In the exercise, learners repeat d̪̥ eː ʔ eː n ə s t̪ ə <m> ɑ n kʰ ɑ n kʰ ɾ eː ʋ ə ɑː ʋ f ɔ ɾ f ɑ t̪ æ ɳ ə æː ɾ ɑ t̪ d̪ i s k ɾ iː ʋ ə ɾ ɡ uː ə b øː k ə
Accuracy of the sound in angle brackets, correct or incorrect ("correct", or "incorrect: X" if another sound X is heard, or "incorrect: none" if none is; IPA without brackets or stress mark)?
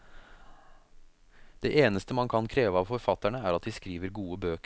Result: correct